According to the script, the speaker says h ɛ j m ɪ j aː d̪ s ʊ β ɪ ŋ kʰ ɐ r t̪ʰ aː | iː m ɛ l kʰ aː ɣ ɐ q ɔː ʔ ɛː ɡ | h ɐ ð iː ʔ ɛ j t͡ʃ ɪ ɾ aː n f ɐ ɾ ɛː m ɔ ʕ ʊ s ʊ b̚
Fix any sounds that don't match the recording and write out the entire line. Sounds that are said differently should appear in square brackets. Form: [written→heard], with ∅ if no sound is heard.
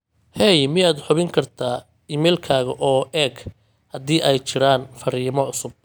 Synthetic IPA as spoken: h ɛ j m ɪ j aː d̪ [s→ħ] ʊ β ɪ ŋ kʰ ɐ r t̪ʰ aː | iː m ɛ l kʰ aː ɣ ɐ [q→ʔ] ɔː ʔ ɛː ɡ | h ɐ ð iː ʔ ɛ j t͡ʃ ɪ ɾ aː n f ɐ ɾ [ɛː→iː] m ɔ ʕ ʊ s ʊ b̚